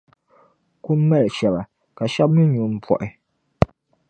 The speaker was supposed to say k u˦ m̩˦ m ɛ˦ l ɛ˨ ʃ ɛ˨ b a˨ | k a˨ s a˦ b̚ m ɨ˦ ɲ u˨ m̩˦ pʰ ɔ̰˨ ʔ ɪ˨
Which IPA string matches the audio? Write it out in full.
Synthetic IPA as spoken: k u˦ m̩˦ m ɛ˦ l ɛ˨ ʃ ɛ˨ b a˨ | k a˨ ʃ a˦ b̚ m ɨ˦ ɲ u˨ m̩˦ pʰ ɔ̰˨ ʔ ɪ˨